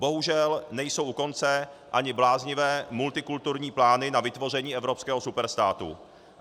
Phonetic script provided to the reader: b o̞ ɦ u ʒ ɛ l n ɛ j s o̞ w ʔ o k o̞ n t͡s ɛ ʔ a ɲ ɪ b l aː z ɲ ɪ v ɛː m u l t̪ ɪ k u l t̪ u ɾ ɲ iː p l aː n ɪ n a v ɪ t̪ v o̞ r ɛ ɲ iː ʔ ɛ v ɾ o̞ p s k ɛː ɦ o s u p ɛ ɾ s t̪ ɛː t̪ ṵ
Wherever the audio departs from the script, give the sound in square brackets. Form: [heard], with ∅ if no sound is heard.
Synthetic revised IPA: b o̞ ɦ u ʒ ɛ l n ɛ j s o̞ w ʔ [u] k o̞ n t͡s ɛ ʔ a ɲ ɪ b l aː z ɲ ɪ v ɛː m u l t̪ ɪ k u l t̪ u ɾ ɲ iː p l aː n ɪ n a v ɪ t̪ v o̞ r ɛ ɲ iː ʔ ɛ v ɾ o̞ p s k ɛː ɦ o s u p ɛ ɾ s t̪ [aː] t̪ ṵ